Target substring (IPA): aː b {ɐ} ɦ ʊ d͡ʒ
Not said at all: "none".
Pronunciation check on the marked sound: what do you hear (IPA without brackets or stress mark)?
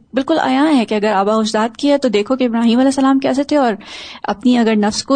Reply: a